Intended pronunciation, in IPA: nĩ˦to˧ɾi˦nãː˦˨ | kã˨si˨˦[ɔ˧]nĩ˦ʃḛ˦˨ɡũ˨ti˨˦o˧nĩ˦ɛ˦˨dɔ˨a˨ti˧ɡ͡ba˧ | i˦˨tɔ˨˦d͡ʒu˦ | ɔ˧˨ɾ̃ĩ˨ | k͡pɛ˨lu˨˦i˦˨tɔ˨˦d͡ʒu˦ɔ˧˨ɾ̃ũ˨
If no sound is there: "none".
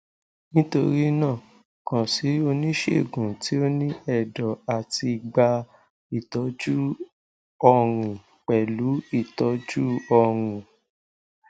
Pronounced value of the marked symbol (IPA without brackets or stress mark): o˧